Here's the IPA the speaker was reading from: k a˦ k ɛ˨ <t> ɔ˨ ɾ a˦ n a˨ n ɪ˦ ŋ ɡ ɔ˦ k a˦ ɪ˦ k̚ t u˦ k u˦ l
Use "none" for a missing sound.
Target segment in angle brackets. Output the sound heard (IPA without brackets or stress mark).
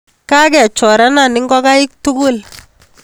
t͡ʃ